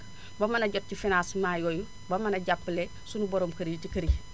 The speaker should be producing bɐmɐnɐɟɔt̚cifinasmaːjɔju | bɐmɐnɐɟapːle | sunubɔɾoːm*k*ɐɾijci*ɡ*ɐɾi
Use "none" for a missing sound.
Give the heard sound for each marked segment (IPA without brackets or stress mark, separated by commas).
k, k